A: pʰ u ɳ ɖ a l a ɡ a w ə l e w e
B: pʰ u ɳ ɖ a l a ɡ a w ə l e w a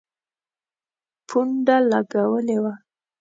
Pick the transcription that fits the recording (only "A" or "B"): B